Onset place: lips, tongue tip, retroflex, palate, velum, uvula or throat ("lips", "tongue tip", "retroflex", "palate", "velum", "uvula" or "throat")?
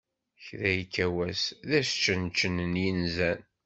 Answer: palate